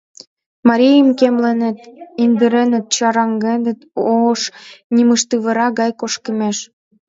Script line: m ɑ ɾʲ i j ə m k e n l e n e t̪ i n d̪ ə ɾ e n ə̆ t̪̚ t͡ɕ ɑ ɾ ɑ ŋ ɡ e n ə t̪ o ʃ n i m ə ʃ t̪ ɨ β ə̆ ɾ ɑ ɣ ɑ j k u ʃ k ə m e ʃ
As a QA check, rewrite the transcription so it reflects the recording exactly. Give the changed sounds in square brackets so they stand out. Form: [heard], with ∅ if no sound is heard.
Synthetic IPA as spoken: m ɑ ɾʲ i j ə m k e [m] l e n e t̪ i n d̪ ə ɾ e n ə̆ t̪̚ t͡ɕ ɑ ɾ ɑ ŋ ɡ e n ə t̪ o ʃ n i m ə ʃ t̪ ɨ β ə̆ ɾ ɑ ɣ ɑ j k [o] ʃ k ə m e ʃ